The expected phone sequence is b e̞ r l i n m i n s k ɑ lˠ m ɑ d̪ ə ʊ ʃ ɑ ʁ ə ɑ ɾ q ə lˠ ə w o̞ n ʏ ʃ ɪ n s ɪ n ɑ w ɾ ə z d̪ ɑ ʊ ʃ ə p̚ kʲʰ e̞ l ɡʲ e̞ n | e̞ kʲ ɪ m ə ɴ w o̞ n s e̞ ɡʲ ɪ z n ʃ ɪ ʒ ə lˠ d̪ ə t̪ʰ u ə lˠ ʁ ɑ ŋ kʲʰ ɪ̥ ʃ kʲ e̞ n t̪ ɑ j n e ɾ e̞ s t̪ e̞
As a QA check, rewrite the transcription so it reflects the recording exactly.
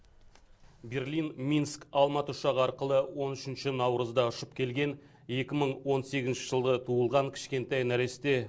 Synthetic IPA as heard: b e̞ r l i n m i n s k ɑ lˠ m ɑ t̪ ə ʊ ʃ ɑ ʁ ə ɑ ɾ q ə lˠ ə w o̞ n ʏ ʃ ɪ n ʃ ɪ n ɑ w ɾ ə z d̪ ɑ ʊ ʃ ə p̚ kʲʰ e̞ l ɡʲ e̞ n | e̞ kʲ ɪ m ə ɴ w o̞ n s e̞ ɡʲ ɪ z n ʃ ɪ ʒ ə lˠ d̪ ə t̪ʰ u ə lˠ ʁ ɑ ŋ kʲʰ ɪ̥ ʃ kʲ e̞ n t̪ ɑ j n æ ɾ e̞ s t̪ e̞

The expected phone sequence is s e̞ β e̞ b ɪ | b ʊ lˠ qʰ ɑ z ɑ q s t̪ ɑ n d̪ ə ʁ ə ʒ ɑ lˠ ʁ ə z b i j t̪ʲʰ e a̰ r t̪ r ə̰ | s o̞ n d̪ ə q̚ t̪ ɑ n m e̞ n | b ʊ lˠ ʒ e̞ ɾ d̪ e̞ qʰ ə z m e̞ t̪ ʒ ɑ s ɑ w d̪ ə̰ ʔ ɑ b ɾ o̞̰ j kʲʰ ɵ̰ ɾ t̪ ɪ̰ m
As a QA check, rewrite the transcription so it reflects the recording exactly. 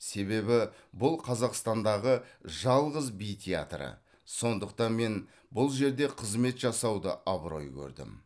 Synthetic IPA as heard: s e̞ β e̞ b ɪ | b ʊ lˠ qʰ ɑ z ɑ q s t̪ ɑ n d̪ ɑ ʁ ə ʒ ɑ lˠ ʁ ə z b i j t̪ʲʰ e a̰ t̪ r ə̰ | s o̞ n d̪ ə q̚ t̪ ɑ n m e̞ n | b ʊ lˠ ʒ e̞ ɾ d̪ e̞ qʰ ə z m e̞ t̪ ʒ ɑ s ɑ w d̪ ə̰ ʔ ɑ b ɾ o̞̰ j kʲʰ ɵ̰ ɾ d̪ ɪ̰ m

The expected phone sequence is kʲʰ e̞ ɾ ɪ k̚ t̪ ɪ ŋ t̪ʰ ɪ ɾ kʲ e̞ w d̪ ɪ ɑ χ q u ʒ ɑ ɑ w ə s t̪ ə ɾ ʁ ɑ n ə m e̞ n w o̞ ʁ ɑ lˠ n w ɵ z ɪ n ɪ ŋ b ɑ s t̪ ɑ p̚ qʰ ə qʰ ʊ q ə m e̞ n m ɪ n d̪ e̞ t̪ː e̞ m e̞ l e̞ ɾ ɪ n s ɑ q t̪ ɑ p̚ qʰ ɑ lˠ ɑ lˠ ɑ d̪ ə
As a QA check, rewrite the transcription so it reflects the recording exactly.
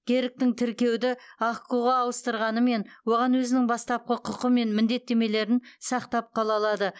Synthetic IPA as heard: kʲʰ e̞ ɾ ɪ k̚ t̪ ɪ ŋ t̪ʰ ɪ ɾ kʲ e̞ w d̪ ɪ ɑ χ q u ʁ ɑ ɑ w ə s t̪ ə ɾ ʁ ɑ n ə m e̞ n w o̞ ʁ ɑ n w ɵ z ɪ n ɪ ŋ b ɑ s t̪ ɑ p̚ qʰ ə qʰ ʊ q ə m e̞ n m ɪ n d̪ e̞ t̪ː e̞ m e̞ l e̞ ɾ ɪ n s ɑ q t̪ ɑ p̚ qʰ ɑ lˠ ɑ lˠ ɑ d̪ ə

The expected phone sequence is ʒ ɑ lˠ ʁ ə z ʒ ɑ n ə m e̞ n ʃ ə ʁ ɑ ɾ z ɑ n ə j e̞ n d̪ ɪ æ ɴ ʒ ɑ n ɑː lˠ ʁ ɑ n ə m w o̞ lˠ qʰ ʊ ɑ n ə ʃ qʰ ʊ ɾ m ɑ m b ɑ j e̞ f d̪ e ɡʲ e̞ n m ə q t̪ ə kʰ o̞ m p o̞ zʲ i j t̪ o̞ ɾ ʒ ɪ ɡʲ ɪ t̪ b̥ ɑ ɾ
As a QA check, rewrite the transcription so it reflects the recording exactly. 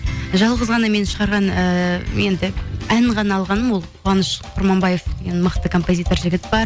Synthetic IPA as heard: ʒ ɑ lˠ ʁ ə z ʁ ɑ n ɑ m e̞ n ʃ ə ʁ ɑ ɾ ʁ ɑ n ə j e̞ n d̪ ɪ æ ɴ ʁ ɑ n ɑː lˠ ʁ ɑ n ə m w o̞ lˠ qʰ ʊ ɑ n ə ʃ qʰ ʊ ɾ m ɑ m b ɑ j e̞ f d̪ e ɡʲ e̞ n m ə q t̪ ə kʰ o̞ m p o̞ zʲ i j t̪ o̞ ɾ ʒ ɪ ɡʲ ɪ t̪ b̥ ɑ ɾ

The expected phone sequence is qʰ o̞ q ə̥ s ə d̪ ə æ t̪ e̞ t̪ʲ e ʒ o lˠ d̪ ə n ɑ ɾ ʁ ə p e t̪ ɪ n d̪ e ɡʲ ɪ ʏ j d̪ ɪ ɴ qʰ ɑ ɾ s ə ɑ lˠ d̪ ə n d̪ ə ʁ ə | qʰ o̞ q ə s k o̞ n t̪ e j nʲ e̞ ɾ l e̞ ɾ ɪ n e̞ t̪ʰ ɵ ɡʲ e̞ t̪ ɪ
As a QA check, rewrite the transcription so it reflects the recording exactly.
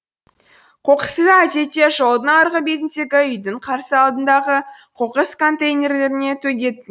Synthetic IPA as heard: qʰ o̞ q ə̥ s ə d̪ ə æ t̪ e̞ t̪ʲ e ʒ o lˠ d̪ ə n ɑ ɾ ʁ ə b e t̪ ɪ n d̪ e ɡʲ ɪ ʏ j d̪ ɪ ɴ qʰ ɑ ɾ s ə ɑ lˠ d̪ ə n d̪ ɑ ʁ ə | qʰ o̞ q ə s k o̞ n t̪ e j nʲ e̞ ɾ l e̞ ɾ ɪ n e̞ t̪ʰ ɵ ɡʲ e̞ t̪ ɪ

